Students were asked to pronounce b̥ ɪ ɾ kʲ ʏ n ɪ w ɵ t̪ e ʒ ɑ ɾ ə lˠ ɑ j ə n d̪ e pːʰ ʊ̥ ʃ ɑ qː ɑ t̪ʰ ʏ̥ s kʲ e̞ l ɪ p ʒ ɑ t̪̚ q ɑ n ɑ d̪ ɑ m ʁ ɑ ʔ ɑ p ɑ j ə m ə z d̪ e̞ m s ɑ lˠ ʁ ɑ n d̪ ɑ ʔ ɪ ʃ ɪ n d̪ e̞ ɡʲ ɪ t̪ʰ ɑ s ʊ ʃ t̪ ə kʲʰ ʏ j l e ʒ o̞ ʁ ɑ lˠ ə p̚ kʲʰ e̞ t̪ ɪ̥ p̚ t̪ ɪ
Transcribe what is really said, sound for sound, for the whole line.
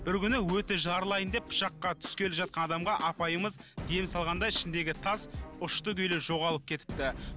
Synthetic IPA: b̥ ɪ ɾ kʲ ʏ n ɪ w ɵ t̪ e ʒ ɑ ɾ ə lˠ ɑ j ə n d̪ e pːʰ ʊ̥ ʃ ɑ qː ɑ t̪ʰ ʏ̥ s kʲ e̞ l ɪ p ʒ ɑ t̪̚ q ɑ n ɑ d̪ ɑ m ʁ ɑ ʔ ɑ p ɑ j ə m ə z d̪ e̞ m s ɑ lˠ ʁ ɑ n d̪ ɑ ɪ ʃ ɪ n d̪ e̞ ɡʲ ɪ t̪ʰ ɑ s ʊ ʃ t̪ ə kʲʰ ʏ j l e ʒ o̞ ʁ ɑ lˠ ə p̚ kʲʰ e̞ t̪ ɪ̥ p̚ t̪ ɪ

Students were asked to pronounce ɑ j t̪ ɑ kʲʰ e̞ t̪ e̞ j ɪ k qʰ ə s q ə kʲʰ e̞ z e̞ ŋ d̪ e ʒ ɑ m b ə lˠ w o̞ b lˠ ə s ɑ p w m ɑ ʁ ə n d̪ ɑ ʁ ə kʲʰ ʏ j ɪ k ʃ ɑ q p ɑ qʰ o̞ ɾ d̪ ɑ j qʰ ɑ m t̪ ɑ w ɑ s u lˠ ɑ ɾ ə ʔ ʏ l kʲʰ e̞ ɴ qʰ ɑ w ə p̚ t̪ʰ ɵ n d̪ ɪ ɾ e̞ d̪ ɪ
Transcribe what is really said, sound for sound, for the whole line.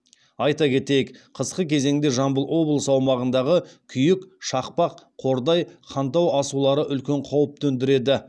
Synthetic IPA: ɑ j t̪ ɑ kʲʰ e̞ t̪ e̞ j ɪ k qʰ ə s q ə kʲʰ e̞ z e̞ ŋ d̪ e ʒ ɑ m b ə lˠ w o̞ b lˠ ə s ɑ w m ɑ ʁ ə n d̪ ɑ ʁ ə kʲʰ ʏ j ɪ k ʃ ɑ q p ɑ qʰ o̞ ɾ d̪ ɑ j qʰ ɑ n t̪ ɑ w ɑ s u lˠ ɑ ɾ ə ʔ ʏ l kʲ e̞ ɴ qʰ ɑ w ə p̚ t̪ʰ ɵ n d̪ ɪ ɾ e̞ d̪ ɪ

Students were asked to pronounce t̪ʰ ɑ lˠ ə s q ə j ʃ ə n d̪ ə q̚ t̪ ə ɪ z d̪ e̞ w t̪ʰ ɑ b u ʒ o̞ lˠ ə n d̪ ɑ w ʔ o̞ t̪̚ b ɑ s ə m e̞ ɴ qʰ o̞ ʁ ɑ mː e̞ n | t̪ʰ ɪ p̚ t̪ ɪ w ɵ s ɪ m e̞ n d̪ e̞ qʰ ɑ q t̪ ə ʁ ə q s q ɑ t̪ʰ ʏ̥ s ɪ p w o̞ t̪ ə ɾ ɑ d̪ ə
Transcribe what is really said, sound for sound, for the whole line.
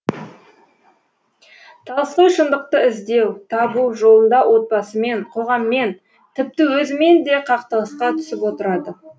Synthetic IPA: t̪ʰ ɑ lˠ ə s q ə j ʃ ə n d̪ ə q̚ t̪ ə ɪ z d̪ e̞ w t̪ʰ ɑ b u ʒ o̞ lˠ ə n d̪ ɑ w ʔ o̞ t̪̚ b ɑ s ə m e̞ ɴ qʰ o̞ ʁ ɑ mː e̞ n | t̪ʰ ɪ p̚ t̪ ɪ w ɵ z ɪ m e̞ n d̪ e̞ qʰ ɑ q t̪ ə ʁ ə s q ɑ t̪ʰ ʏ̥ s ɪ p w o̞ t̪ ə ɾ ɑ d̪ ə

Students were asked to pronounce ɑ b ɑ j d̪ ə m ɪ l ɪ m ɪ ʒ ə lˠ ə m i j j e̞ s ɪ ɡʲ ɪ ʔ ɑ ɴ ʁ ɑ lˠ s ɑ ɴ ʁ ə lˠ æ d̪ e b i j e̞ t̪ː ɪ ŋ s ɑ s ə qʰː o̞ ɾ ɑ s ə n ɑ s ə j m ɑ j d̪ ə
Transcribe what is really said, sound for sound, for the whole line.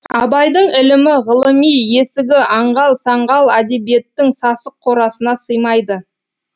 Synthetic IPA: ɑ b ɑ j d̪ ə ɴ ɪ l ɪ m ɪ ʁ ə lˠ ə m i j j e̞ s ɪ ɡʲ ɪ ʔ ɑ ɴ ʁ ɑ lˠ s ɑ ɴ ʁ ɑ lˠ æ d̪ e b i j e̞ t̪ː ɪ ŋ s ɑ s ə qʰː o̞ ɾ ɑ s ə n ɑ s ə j m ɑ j d̪ ə

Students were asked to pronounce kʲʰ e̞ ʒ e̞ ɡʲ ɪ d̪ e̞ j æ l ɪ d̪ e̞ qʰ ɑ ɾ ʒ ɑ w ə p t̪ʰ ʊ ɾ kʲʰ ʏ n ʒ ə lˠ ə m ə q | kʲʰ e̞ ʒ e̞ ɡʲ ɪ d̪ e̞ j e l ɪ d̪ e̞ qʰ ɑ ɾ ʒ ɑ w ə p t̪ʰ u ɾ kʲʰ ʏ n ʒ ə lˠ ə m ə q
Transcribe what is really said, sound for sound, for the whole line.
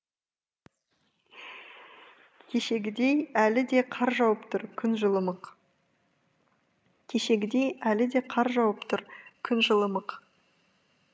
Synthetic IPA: kʲʰ e̞ ʃ e̞ ɡʲ ɪ d̪ e̞ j æ l ɪ d̪ e̞ qʰ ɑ ɾ ʒ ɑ w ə p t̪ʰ ʊ ɾ kʲʰ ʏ n ʒ ə lˠ ə m ə q | kʲʰ e̞ ʃ e̞ ɡʲ ɪ d̪ e̞ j æ l ɪ d̪ e̞ qʰ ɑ ɾ ʒ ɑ w ə p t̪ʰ ʊ ɾ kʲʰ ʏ n ʒ ə lˠ ə m ə q

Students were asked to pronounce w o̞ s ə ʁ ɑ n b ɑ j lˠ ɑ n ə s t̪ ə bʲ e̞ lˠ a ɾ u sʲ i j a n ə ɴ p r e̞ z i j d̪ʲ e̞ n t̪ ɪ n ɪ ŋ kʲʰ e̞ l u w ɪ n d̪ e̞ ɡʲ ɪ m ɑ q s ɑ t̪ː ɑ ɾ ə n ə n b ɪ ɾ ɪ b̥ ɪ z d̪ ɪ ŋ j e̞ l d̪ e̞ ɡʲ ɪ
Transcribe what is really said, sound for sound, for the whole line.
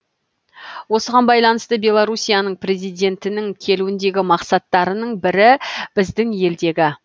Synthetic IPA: w o̞ s ə ʁ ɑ n b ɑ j lˠ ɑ n ə s t̪ ə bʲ e̞ lˠ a ɾ u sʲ i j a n ə ɴ p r e̞ z i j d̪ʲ e̞ n t̪ ɪ n ɪ ŋ kʲʰ e̞ l u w ɪ n d̪ e̞ ɡʲ ɪ m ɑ q s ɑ t̪ː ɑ ɾ ə n ə ɴ b ɪ ɾ ɪ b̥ ɪ z d̪ ɪ ŋ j e̞ l d̪ e̞ ɡʲ ɪ

